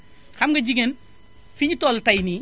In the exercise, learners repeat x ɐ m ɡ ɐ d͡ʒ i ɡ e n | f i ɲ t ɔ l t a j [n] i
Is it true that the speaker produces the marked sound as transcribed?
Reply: yes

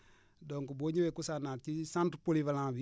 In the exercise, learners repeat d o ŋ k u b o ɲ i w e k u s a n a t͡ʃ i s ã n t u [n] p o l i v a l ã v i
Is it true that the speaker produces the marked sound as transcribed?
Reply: no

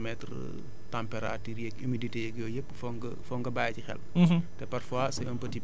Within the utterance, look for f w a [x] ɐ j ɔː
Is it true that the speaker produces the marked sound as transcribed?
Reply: no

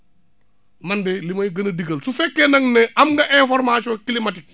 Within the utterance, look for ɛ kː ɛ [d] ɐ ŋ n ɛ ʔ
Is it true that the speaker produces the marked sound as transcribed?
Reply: no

